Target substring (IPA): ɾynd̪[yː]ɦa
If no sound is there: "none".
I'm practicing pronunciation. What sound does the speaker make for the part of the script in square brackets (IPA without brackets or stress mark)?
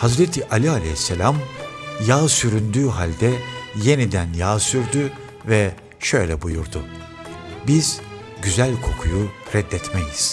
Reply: yː